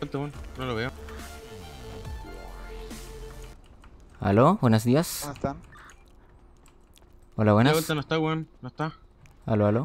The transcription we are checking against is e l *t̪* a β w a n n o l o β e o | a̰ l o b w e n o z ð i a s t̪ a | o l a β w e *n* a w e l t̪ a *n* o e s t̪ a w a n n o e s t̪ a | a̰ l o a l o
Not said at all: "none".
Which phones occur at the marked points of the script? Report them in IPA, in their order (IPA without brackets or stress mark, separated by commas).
t̪, n, n